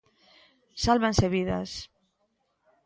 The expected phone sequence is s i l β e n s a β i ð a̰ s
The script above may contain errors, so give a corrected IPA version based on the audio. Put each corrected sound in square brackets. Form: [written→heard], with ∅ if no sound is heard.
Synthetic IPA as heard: s [i→a] l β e n s [a→e] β i ð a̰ s